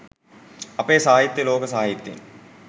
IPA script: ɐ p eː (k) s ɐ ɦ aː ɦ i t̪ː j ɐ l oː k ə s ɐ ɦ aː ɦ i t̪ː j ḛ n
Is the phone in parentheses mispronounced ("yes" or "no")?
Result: yes